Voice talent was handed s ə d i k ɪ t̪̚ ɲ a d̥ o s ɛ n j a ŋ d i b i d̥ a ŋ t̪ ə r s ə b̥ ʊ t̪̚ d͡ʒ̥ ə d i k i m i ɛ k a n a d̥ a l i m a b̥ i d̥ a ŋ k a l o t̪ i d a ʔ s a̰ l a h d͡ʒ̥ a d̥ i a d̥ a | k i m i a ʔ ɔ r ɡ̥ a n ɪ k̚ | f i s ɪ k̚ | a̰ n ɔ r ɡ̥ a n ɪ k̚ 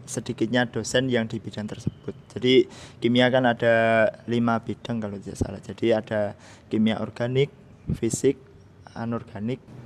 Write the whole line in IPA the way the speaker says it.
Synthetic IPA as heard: s ə d i k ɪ t̪̚ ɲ a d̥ o s ɛ n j a ŋ d i b i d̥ a ŋ t̪ ə r s ə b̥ ʊ t̪̚ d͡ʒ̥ a d i k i m i a k a n a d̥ a l i m a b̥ i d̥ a ŋ k a l o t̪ i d a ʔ s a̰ l a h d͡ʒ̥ a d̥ i a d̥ a | k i m i a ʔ ɔ r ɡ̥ a n ɪ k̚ | f i s ɪ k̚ | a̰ n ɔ r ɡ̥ a n ɪ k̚